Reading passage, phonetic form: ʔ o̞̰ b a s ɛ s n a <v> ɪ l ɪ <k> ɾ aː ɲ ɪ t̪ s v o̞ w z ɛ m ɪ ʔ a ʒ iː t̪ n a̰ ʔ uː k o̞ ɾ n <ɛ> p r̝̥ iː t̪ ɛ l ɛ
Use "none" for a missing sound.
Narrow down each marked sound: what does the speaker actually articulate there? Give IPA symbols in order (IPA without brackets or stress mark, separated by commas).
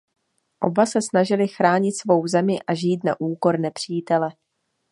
ʒ, x, ɛ